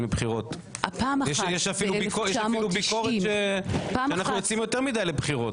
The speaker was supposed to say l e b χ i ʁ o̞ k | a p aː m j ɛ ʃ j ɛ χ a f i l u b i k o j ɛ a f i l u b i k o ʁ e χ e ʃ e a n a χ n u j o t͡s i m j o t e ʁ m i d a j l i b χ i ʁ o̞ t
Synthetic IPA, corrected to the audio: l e b χ i ʁ o̞ t | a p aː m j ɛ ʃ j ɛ ʃ a f i l u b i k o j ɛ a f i l u b i k o ʁ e ʃ e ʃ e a n a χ n u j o t͡s i m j o t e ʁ m i d a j l e b χ i ʁ o̞ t